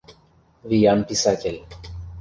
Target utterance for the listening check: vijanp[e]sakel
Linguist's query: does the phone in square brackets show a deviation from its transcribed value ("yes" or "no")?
yes